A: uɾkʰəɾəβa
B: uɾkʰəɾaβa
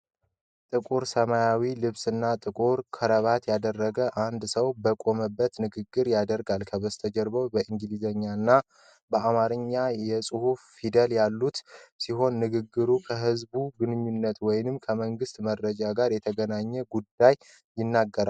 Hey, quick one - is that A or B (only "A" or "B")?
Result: A